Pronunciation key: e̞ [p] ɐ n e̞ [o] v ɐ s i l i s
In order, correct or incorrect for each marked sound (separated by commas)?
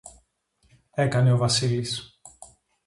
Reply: incorrect, correct